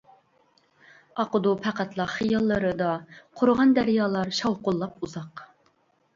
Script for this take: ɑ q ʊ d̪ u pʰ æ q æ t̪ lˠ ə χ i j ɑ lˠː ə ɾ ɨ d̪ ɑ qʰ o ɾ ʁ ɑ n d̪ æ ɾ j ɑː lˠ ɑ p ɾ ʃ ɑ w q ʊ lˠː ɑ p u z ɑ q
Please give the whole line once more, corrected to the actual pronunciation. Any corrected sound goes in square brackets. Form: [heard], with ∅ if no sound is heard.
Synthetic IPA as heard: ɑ q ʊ d̪ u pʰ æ q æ t̪ lˠ [ɑ] χ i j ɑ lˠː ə ɾ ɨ d̪ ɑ qʰ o ɾ ʁ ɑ n d̪ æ ɾ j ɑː lˠ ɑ [∅] ɾ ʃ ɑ w q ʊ lˠː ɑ p u z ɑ q